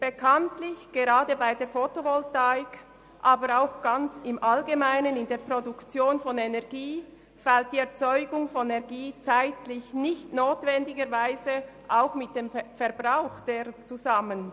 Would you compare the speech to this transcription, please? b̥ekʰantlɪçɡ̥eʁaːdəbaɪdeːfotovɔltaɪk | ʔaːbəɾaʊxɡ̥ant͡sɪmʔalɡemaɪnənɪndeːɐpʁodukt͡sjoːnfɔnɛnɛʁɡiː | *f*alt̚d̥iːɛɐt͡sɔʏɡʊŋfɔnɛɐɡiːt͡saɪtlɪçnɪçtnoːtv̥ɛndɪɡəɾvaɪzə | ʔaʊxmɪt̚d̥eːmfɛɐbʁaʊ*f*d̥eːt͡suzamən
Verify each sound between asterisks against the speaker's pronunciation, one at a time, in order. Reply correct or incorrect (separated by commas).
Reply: correct, incorrect